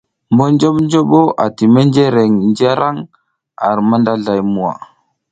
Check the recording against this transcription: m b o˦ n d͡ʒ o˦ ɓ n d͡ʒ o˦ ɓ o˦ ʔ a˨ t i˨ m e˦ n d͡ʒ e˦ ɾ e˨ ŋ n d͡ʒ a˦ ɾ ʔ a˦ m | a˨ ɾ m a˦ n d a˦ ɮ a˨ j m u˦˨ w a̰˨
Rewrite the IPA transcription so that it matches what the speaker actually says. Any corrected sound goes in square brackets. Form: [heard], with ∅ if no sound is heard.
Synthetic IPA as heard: m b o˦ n d͡ʒ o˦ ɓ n d͡ʒ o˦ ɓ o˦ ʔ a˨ t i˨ m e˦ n d͡ʒ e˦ ɾ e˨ ŋ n d͡ʒ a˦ ɾ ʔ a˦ [ŋ] | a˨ ɾ m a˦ n d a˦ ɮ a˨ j m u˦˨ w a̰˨